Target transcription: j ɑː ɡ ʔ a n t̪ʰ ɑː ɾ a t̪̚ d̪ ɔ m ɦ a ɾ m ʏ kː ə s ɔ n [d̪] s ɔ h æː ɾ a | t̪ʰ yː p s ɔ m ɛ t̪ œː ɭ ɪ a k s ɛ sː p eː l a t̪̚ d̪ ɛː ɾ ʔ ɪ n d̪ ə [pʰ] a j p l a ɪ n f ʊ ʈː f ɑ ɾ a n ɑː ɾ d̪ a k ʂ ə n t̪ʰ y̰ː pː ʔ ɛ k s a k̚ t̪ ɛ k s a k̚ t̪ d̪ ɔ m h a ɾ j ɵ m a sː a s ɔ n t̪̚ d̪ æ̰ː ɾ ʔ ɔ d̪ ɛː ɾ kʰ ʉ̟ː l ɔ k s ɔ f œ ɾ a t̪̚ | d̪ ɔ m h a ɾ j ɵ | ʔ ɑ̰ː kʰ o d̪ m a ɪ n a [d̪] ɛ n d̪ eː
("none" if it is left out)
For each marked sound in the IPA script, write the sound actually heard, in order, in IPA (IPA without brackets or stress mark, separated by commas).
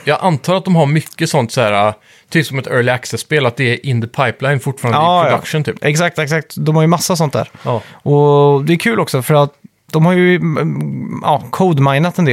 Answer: t̪, pʰ, t̪